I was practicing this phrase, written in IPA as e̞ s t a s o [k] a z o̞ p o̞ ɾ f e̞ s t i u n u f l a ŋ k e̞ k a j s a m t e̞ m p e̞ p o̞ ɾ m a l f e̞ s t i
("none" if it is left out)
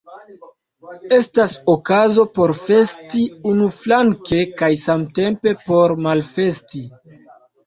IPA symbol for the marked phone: k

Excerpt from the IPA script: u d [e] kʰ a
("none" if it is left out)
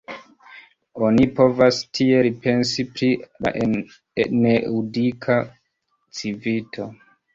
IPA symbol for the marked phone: i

